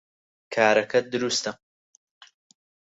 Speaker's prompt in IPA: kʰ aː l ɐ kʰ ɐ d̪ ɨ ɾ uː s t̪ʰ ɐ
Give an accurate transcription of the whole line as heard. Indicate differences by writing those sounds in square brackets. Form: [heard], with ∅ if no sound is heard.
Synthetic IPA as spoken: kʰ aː [ɾ] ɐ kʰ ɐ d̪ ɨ ɾ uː s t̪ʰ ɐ